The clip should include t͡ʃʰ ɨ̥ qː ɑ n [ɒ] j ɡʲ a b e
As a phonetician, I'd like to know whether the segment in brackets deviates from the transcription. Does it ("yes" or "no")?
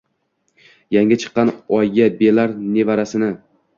no